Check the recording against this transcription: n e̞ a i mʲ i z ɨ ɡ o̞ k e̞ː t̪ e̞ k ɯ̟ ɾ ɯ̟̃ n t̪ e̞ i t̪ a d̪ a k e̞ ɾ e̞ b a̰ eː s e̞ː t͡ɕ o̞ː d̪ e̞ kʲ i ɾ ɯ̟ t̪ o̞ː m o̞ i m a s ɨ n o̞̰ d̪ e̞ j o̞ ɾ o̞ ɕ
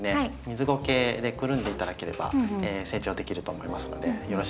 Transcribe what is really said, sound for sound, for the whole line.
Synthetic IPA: n e̞ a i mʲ i z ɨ ɡ o̞ k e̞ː d̪ e̞ k ɯ̟ ɾ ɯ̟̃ n d̪ e̞ i t̪ a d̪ a k e̞ ɾ e̞ b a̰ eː s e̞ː t͡ɕ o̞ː d̪ e̞ kʲ i ɾ ɯ̟ t̪ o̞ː m o̞ i m a s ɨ n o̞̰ d̪ e̞ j o̞ ɾ o̞ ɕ